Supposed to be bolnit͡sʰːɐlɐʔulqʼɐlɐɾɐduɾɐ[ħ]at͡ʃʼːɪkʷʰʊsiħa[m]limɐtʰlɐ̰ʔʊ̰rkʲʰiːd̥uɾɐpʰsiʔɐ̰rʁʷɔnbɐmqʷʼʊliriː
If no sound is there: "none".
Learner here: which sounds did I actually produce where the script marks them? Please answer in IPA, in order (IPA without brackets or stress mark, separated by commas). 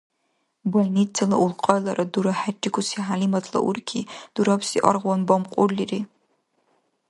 ħ, none